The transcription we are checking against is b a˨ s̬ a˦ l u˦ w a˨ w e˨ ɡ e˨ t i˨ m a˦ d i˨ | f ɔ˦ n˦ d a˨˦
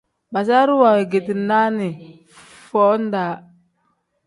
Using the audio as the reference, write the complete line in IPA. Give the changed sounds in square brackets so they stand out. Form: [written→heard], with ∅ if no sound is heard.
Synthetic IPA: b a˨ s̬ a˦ [l→ɾ] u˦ w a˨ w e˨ ɡ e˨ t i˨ [m→n] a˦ [d→n] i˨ | f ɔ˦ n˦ d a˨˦